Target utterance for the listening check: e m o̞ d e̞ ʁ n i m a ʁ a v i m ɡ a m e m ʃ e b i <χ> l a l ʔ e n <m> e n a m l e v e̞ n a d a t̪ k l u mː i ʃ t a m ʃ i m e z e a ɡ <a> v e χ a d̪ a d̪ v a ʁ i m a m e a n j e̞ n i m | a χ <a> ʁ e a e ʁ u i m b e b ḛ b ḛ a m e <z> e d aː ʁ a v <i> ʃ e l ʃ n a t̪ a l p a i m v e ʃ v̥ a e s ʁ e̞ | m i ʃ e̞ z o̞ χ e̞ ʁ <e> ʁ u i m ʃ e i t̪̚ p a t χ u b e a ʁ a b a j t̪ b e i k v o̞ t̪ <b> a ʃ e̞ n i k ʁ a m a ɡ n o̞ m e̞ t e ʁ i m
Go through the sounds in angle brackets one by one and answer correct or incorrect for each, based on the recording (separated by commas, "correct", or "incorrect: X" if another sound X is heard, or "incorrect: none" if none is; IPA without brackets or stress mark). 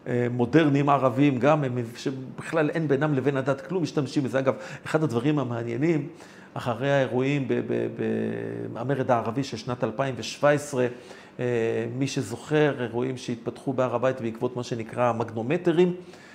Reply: correct, incorrect: b, correct, correct, incorrect: ʁ, correct, correct, incorrect: m